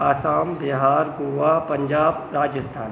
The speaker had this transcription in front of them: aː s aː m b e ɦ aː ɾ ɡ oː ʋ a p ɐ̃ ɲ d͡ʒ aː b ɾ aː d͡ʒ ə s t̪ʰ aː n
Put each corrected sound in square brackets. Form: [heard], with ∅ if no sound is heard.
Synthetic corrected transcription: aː s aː m b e ɦ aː ɾ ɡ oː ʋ a p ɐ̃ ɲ d͡ʒ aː b ɾ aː d͡ʒ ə s t̪ʰ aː n